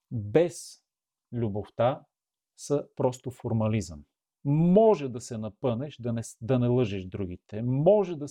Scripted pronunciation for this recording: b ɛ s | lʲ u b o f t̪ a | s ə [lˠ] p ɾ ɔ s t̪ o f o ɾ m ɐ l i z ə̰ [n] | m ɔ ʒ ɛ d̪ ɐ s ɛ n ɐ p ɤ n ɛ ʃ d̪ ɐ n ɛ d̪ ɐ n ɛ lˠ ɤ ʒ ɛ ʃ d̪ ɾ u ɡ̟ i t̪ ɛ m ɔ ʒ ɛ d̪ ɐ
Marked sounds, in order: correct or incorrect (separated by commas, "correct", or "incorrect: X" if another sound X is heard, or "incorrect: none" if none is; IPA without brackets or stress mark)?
incorrect: none, incorrect: m